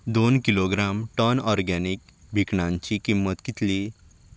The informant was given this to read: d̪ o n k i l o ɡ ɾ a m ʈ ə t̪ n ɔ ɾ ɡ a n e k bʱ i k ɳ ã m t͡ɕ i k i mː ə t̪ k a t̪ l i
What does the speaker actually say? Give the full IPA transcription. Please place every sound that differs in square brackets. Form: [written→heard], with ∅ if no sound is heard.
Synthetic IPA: d̪ o n k i l o ɡ ɾ a m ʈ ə [t̪→∅] n ɔ ɾ ɡ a n [e→i] k bʱ i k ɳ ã [m→ɲ] t͡ɕ i k i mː ə t̪ k [a→i] t̪ l i